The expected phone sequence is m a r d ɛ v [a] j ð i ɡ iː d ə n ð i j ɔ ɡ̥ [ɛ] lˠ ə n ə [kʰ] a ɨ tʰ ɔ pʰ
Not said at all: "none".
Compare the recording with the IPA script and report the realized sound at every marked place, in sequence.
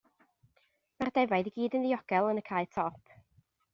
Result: a, ɛ, kʰ

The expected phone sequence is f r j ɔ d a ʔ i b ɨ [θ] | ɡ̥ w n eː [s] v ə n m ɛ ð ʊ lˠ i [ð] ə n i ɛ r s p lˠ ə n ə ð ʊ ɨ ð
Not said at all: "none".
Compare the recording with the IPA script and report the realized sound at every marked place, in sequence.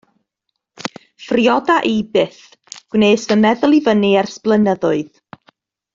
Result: θ, s, v

